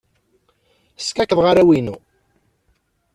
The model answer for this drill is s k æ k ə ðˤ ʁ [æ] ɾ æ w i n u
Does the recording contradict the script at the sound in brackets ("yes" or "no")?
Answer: yes